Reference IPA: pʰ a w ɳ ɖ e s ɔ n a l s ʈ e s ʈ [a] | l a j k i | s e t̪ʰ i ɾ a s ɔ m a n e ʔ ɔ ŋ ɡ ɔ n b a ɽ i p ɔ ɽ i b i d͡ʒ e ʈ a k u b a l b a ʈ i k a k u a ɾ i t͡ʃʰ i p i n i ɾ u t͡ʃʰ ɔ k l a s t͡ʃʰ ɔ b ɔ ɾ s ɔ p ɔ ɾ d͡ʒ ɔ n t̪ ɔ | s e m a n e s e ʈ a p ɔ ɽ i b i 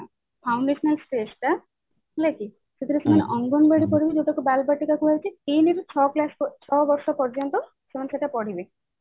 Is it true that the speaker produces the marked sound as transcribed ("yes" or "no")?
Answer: yes